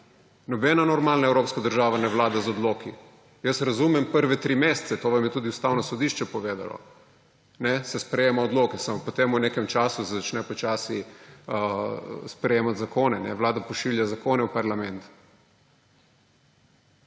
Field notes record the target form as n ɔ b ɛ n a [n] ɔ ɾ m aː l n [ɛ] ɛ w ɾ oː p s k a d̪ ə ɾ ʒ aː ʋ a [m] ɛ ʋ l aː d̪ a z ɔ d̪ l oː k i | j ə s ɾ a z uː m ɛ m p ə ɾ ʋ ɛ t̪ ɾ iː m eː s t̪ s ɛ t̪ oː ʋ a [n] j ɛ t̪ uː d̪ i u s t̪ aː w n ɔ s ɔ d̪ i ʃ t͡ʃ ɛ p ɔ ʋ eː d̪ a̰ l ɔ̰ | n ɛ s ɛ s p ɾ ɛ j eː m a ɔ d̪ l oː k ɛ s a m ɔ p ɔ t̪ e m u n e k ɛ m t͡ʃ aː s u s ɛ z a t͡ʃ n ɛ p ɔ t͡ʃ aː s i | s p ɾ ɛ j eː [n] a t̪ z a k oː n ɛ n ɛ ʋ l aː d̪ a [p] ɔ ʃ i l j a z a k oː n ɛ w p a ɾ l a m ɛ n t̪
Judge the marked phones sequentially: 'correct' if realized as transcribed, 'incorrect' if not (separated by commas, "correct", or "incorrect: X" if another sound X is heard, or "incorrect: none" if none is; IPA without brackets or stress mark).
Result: correct, incorrect: a, incorrect: n, incorrect: m, incorrect: m, correct